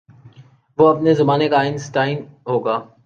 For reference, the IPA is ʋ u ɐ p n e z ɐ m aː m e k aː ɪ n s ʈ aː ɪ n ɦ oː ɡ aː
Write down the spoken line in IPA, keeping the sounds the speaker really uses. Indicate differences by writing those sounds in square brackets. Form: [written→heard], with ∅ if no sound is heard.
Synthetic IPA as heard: ʋ [u→o] ɐ p n e z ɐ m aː [m→n] e k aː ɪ n s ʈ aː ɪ n ɦ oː ɡ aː